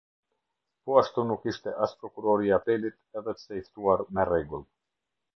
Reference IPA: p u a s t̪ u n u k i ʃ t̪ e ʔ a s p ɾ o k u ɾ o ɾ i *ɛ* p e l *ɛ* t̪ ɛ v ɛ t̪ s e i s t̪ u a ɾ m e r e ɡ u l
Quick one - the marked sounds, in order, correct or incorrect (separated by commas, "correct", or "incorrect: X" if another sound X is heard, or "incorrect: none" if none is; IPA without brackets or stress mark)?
incorrect: a, incorrect: i